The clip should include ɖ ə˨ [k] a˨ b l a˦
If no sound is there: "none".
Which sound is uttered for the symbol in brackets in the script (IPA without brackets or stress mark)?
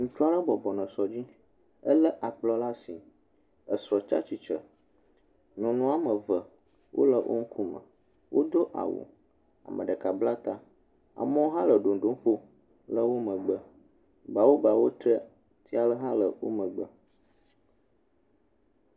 k